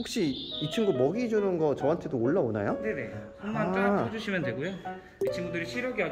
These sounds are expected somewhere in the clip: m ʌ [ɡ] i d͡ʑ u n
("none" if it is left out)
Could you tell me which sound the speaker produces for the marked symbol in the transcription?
ɡ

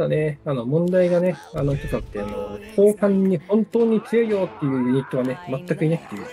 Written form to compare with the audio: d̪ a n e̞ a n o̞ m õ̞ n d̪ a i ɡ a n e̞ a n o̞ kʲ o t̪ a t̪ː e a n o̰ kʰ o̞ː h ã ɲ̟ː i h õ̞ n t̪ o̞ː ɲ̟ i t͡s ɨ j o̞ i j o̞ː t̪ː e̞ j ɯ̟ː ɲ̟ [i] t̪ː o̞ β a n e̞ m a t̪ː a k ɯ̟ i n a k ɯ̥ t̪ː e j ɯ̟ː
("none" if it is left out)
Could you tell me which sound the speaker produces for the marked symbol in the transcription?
i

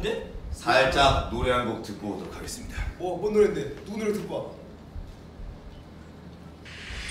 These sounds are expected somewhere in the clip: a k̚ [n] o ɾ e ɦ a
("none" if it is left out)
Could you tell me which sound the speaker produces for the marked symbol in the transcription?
n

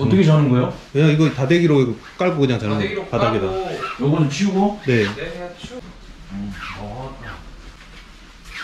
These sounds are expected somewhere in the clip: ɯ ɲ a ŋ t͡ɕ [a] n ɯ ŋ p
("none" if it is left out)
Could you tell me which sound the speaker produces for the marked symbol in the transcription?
a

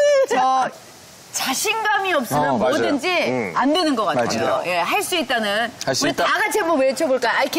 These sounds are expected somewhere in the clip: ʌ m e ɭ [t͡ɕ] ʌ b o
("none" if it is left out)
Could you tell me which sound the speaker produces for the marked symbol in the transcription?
t͡ɕʰ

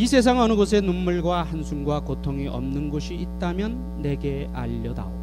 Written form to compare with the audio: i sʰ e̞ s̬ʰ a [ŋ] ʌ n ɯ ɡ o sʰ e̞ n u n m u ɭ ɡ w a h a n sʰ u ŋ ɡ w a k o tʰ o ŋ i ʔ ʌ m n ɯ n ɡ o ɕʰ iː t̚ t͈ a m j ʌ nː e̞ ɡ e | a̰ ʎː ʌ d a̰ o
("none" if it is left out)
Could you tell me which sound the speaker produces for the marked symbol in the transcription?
ŋ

